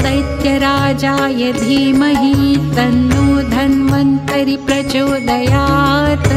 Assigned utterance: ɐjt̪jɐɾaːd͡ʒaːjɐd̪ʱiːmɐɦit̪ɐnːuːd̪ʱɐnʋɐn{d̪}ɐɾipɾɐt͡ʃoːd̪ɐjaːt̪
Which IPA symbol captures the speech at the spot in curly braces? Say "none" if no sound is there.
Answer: t̪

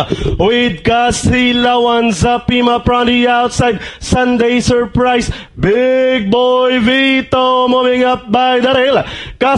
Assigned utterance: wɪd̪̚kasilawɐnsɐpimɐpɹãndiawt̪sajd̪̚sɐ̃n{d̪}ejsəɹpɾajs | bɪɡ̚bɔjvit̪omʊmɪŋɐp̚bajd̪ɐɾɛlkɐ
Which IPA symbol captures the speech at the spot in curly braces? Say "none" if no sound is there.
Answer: d̪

